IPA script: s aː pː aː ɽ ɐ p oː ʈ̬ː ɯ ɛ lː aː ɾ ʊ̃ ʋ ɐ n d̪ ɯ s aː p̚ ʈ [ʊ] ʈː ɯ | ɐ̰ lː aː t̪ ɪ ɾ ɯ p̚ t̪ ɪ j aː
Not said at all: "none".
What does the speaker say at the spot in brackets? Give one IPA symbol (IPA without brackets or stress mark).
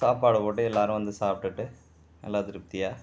ɯ